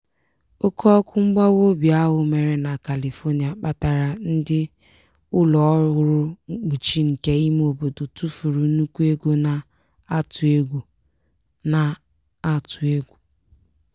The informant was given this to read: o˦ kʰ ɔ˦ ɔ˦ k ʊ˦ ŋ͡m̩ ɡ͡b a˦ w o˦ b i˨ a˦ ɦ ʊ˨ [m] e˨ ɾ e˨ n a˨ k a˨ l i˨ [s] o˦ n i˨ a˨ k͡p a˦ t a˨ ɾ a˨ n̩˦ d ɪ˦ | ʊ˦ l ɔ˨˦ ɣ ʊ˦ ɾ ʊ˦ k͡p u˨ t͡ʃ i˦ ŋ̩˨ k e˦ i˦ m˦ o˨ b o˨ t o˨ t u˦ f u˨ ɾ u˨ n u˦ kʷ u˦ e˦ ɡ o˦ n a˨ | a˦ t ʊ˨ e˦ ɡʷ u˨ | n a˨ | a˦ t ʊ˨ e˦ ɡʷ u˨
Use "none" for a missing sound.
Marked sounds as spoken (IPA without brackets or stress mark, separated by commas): m, f